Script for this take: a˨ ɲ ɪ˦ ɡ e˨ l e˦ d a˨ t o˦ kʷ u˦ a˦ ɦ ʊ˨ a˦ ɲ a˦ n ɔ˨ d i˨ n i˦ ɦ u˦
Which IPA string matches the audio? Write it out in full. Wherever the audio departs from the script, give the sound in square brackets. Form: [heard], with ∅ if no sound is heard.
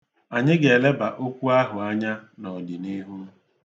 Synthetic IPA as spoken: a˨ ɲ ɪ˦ ɡ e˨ l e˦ [b] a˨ [ʔ] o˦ kʷ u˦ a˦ ɦ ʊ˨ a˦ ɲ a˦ n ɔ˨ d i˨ n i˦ ɦ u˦